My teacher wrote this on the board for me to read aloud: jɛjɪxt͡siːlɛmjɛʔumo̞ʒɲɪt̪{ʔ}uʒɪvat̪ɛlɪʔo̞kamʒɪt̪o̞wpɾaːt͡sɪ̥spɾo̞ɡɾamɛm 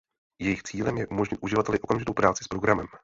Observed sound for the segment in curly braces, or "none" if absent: ʔ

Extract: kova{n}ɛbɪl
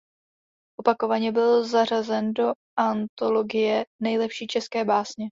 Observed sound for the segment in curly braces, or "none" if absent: ɲ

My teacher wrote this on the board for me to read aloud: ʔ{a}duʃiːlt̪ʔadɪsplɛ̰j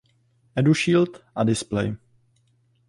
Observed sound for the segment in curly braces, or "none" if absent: ɛ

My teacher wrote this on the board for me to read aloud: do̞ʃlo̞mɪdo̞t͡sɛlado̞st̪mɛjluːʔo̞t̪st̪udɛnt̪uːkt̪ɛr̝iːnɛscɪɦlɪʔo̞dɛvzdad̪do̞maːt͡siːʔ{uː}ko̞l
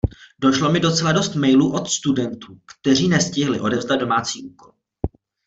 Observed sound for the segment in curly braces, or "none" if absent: uː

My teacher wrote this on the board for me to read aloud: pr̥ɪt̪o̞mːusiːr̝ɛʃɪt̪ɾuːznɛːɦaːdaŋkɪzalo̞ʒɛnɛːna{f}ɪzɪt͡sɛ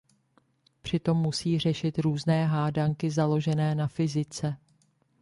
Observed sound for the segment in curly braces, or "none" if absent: f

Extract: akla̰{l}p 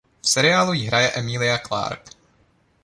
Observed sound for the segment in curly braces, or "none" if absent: ɾ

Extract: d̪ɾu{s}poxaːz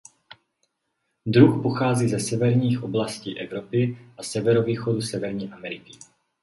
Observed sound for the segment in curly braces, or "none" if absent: x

